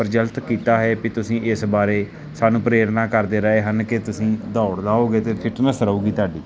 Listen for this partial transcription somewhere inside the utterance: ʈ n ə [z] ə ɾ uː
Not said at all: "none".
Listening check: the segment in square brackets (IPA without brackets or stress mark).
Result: s